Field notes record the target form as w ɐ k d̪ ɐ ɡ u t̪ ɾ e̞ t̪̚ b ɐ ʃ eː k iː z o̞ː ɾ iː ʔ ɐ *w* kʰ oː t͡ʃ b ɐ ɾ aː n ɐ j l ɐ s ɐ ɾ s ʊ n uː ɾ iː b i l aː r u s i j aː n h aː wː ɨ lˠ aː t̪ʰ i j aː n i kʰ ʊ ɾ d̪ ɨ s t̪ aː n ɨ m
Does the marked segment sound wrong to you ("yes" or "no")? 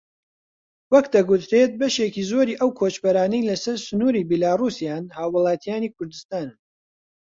no